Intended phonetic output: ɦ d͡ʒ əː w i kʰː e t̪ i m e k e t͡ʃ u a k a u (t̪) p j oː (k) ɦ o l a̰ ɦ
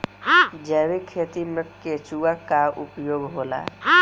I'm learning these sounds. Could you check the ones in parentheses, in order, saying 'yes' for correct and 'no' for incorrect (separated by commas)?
no, no